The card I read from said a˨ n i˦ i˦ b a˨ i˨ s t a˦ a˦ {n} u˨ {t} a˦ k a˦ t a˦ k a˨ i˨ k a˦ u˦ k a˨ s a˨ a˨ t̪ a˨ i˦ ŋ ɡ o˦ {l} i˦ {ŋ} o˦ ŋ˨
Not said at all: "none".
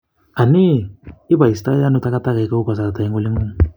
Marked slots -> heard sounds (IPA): n, t, l, ŋ

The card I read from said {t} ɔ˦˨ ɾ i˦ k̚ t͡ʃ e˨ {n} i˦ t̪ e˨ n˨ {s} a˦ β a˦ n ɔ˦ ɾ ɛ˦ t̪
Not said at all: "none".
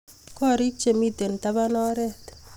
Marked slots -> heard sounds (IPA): k, m, t

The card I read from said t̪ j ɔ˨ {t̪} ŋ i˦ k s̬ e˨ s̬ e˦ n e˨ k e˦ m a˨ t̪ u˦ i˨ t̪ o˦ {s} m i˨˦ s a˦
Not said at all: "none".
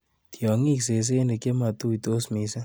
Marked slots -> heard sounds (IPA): none, s

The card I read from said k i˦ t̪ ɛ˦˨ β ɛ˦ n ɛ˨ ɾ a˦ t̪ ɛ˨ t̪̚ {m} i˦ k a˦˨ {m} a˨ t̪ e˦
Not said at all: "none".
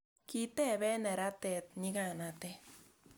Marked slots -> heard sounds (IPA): ɲ, n

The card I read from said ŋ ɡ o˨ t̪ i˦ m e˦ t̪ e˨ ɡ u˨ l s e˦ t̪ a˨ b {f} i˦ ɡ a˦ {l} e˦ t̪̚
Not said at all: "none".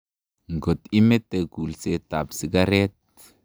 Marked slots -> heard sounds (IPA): s, ɾ

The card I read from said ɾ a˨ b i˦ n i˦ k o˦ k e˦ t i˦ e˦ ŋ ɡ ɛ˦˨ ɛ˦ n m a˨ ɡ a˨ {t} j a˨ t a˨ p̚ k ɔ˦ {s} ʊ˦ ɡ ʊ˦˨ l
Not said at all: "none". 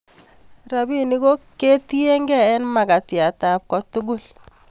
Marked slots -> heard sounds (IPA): t, t

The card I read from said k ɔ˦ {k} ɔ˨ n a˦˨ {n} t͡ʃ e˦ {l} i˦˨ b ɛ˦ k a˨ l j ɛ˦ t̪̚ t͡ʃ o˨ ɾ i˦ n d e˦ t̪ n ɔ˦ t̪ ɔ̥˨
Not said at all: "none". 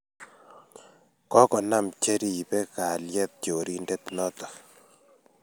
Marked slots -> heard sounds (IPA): k, m, ɾ

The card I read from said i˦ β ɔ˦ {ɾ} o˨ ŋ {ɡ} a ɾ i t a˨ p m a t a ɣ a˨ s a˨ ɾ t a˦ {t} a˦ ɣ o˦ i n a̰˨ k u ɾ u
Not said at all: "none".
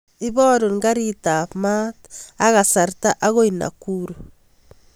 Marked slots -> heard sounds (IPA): ɾ, ɡ, ʔ

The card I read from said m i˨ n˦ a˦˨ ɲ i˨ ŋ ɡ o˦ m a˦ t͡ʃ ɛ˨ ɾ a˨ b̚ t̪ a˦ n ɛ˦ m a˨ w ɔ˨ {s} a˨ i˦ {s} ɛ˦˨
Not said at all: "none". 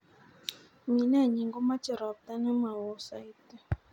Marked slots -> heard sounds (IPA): s, t

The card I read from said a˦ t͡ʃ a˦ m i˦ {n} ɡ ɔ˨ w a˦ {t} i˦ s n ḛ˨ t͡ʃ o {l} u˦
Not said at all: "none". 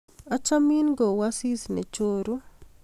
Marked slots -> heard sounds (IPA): n, s, ɾ

